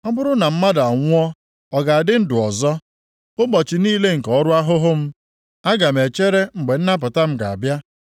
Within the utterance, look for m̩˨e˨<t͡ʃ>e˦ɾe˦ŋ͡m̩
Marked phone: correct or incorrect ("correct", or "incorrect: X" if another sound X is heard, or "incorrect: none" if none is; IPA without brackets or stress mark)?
correct